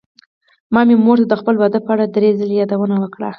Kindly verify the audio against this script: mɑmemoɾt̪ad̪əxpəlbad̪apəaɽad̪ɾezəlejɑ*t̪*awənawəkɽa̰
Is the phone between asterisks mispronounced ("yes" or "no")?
yes